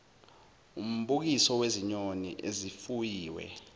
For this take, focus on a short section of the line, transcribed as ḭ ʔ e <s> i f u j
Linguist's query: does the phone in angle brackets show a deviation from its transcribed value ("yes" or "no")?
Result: yes